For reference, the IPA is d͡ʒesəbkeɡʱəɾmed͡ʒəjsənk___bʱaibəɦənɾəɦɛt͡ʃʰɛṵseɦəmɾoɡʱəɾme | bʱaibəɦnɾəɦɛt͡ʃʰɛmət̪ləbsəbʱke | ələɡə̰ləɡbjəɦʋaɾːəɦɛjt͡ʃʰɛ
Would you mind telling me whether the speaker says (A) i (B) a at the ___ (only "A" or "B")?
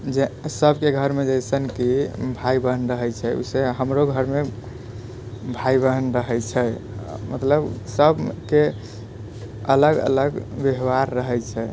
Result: A